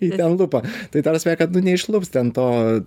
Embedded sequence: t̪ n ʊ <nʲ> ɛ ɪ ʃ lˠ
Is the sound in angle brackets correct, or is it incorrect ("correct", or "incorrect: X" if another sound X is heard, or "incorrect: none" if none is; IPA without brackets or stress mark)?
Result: correct